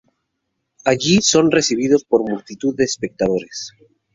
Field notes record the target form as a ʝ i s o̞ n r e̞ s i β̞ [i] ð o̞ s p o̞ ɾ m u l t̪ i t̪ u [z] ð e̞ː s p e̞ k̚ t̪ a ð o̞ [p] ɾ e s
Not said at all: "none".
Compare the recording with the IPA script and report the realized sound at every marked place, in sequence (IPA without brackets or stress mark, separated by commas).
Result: i, ð, none